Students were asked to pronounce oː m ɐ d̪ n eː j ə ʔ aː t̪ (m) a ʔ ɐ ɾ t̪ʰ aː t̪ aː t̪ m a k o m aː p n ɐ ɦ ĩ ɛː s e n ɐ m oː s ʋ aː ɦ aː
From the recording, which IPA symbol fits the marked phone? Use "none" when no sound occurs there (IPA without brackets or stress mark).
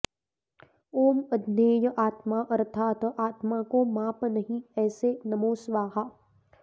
m